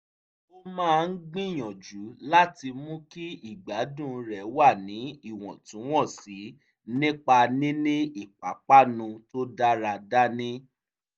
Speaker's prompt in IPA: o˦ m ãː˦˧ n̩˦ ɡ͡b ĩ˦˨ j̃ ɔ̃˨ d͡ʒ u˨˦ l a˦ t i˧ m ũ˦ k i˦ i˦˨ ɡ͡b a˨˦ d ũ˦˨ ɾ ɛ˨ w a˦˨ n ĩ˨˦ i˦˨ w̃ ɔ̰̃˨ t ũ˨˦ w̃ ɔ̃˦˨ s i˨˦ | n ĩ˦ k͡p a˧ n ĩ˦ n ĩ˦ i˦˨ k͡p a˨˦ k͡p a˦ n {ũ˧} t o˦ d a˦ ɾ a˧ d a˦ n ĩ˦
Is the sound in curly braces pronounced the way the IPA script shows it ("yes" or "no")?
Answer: yes